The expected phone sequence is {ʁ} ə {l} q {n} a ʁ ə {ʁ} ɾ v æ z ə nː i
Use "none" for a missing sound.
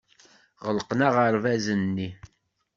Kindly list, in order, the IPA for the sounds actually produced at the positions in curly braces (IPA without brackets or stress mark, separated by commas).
ʁ, l, n, none